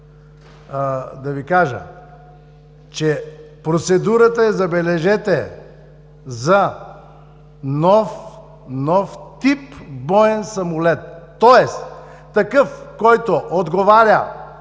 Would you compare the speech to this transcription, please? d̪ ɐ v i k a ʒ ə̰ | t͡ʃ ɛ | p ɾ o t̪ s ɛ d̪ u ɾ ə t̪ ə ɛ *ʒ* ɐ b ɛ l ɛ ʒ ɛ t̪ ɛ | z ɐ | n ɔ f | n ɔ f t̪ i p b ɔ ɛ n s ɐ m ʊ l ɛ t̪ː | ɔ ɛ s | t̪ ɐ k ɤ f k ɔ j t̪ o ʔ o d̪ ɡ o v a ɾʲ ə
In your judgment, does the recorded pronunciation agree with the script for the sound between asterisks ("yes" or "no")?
no